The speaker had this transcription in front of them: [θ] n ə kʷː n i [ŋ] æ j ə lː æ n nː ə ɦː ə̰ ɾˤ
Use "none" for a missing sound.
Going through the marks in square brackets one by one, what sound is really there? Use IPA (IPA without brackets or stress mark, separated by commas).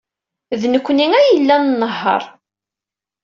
ð, ŋ